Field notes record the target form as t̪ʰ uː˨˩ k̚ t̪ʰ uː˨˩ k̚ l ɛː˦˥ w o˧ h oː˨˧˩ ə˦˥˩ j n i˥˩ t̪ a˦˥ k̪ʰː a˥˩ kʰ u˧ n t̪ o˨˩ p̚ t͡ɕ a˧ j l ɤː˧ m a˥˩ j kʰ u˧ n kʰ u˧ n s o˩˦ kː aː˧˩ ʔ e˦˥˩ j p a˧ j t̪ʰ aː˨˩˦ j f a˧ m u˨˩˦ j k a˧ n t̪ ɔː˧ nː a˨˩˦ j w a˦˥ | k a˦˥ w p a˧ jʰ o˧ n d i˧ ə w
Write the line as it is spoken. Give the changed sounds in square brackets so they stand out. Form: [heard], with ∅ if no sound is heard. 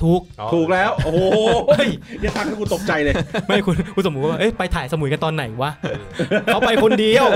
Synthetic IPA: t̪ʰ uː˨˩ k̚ t̪ʰ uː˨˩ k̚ l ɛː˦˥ w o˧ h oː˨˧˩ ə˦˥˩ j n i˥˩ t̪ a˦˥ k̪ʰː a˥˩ [k] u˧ n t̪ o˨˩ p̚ t͡ɕ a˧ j l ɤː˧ m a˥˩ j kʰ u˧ n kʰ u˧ n s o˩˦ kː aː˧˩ ʔ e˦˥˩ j p a˧ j t̪ʰ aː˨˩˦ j [s] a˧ m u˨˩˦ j k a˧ n t̪ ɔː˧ nː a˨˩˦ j w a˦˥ | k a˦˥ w p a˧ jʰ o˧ n d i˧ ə w